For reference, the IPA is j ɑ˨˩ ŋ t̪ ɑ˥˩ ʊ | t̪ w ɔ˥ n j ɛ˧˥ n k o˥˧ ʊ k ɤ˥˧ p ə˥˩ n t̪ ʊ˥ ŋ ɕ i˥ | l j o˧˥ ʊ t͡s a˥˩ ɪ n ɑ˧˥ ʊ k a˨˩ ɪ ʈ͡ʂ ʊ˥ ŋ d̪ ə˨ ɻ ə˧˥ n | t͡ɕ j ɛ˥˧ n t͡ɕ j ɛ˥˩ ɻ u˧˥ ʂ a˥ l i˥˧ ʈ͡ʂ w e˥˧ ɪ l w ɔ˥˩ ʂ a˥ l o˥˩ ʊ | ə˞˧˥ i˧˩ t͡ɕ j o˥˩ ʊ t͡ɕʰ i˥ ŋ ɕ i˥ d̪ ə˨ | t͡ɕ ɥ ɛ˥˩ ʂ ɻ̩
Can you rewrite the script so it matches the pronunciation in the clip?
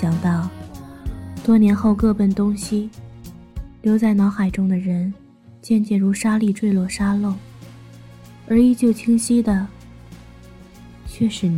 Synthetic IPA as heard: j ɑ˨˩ ŋ t̪ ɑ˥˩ ʊ | t̪ w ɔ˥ n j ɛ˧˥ n x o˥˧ ʊ k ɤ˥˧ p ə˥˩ n t̪ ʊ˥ ŋ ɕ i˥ | l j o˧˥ ʊ t͡s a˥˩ ɪ n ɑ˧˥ ʊ x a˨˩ ɪ ʈ͡ʂ ʊ˥ ŋ d̪ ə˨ ɻ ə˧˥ n | t͡ɕ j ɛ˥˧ n t͡ɕ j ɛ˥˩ ɻ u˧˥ ʂ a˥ l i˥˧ ʈ͡ʂ w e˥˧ ɪ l w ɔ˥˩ ʂ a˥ l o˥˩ ʊ | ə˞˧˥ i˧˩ t͡ɕ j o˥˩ ʊ t͡ɕʰ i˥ ŋ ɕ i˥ d̪ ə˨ | t͡ɕʰ ɥ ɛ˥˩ ʂ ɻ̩